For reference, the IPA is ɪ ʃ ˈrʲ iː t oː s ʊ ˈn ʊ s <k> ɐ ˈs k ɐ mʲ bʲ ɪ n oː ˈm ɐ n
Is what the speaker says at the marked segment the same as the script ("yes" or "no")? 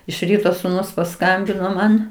no